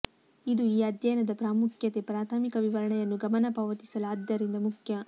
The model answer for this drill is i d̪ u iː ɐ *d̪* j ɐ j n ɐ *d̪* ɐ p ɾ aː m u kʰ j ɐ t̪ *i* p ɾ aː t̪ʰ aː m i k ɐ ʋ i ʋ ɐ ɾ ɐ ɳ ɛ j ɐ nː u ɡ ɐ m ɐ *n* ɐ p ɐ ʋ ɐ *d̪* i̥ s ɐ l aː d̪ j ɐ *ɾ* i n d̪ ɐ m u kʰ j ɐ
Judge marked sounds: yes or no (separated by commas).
yes, yes, no, yes, no, yes